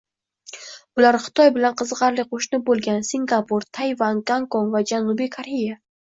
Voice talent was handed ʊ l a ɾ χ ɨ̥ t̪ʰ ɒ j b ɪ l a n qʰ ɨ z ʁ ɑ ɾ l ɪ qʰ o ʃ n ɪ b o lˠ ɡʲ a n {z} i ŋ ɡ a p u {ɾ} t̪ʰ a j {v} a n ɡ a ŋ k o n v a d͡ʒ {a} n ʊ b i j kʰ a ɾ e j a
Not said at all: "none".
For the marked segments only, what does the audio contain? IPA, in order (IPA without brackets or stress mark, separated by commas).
s, ɾ, v, a